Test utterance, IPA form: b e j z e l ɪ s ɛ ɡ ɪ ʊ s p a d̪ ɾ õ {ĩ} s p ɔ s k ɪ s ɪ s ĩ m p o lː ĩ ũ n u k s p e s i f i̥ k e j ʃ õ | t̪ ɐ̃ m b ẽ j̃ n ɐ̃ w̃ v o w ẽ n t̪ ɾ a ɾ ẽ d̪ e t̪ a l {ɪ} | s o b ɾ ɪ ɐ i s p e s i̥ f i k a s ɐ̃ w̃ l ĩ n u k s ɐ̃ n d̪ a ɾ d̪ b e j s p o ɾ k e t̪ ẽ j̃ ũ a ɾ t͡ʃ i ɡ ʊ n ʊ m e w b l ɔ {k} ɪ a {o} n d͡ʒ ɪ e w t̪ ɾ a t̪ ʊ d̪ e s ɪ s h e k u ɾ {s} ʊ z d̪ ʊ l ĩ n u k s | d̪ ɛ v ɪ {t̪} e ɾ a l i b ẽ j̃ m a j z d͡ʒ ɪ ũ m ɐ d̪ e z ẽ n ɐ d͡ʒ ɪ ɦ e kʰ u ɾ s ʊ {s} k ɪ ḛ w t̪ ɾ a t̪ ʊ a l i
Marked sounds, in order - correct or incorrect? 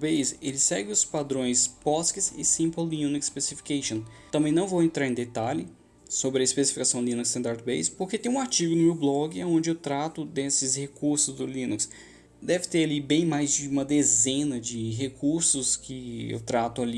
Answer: incorrect: j̃, correct, incorrect: ɡ, incorrect: õ, correct, correct, correct

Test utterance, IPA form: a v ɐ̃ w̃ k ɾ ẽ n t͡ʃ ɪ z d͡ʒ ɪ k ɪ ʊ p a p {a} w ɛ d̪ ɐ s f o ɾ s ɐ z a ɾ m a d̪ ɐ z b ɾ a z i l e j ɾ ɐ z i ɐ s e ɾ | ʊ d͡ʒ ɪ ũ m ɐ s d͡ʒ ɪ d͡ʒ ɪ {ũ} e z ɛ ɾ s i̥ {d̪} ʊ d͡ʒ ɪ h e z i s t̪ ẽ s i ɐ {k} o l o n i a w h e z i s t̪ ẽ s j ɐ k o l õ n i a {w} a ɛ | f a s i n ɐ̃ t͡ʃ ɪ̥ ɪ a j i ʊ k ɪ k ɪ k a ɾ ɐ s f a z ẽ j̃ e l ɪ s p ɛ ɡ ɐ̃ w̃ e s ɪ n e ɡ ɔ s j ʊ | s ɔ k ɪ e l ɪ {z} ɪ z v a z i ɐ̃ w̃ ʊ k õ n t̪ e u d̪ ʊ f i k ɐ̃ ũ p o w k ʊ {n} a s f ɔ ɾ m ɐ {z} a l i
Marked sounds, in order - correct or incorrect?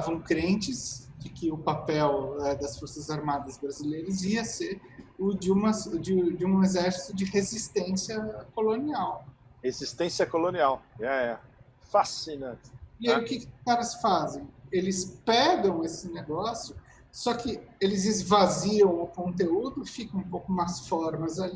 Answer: incorrect: ɛ, correct, incorrect: t̪, correct, correct, correct, incorrect: m, correct

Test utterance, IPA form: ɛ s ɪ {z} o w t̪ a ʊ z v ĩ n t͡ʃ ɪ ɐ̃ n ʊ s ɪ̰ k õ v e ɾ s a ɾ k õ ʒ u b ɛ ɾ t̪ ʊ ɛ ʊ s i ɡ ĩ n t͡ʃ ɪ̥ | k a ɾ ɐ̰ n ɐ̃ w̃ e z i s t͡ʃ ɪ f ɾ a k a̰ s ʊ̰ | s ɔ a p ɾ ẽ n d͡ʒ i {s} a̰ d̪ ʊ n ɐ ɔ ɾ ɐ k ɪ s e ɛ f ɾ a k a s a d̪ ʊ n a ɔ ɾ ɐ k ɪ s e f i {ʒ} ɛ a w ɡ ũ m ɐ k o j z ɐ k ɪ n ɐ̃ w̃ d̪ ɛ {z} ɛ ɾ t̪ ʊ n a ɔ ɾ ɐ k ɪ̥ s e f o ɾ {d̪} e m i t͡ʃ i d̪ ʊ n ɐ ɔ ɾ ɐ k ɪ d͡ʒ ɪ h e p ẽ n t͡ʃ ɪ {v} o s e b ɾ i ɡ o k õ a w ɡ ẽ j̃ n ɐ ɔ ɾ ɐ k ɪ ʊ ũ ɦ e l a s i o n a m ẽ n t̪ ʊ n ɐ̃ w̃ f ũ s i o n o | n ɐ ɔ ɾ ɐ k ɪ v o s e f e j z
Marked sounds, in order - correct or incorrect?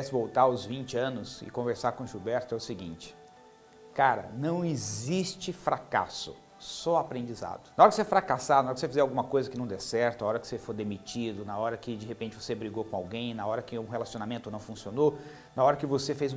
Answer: incorrect: v, incorrect: z, incorrect: z, incorrect: s, correct, correct

